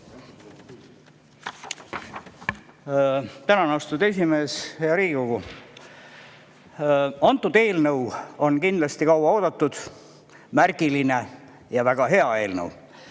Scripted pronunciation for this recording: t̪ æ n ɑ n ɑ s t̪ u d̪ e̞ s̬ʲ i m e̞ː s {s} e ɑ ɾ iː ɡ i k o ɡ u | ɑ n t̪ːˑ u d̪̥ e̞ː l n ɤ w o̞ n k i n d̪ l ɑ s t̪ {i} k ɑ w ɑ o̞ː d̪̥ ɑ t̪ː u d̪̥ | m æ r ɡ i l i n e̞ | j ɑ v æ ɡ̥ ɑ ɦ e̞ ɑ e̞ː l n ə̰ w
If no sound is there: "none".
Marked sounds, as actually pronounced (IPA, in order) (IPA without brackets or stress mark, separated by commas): h, i